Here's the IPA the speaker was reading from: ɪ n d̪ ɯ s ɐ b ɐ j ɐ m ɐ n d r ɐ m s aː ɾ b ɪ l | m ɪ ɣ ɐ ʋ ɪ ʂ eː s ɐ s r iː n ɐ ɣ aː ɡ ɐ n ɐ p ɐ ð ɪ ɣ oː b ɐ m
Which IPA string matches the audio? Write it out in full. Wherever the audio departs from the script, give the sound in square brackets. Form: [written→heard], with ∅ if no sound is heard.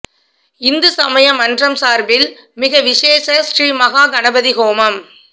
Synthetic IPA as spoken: ɪ n d̪ ɯ s ɐ [b→m] ɐ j ɐ m ɐ n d r ɐ m s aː ɾ b ɪ l | m ɪ ɣ ɐ ʋ ɪ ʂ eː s ɐ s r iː [n→m] ɐ ɣ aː ɡ ɐ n ɐ [p→b] ɐ ð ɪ ɣ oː [b→m] ɐ m